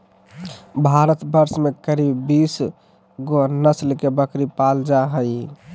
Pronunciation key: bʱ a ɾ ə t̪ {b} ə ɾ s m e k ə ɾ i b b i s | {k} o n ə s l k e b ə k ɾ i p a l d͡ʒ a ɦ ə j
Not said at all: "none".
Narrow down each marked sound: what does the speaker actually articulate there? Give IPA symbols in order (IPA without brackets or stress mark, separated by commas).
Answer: b, ɡ